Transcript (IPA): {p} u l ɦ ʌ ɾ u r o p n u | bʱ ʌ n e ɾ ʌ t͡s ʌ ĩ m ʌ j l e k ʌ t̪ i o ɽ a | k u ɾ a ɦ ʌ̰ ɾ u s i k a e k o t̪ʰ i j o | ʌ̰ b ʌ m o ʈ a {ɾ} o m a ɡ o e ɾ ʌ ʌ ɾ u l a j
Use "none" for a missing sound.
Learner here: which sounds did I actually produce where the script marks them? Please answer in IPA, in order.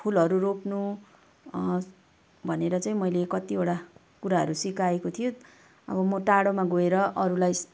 pʰ, ɽ

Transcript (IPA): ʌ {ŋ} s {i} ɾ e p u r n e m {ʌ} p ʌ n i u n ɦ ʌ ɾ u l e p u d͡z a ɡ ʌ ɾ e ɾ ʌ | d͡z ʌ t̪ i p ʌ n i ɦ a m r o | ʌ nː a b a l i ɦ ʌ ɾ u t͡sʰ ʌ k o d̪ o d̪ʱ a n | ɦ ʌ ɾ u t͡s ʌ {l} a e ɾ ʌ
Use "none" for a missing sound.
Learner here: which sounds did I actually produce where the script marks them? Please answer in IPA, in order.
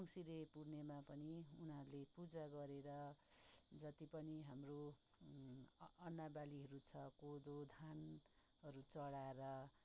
ŋ, i, a, ɽ

